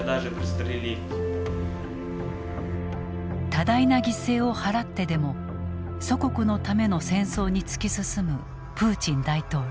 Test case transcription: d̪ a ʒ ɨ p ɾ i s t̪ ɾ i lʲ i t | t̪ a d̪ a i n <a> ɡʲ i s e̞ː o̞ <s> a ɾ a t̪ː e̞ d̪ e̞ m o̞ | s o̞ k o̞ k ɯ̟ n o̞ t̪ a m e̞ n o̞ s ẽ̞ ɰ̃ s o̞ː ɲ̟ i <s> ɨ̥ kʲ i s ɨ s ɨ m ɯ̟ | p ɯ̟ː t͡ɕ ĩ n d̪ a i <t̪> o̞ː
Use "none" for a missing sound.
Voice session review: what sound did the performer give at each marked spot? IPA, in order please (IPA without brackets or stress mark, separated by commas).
a, h, t͡s, t̪